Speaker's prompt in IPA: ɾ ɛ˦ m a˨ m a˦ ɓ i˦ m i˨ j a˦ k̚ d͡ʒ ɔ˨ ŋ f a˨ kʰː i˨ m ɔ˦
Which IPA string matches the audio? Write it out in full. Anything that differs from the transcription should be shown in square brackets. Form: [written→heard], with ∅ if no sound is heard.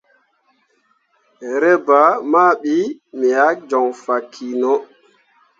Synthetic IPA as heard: ɾ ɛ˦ [m→b] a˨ m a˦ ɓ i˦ m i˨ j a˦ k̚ d͡ʒ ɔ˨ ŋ f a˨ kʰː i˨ [m→n] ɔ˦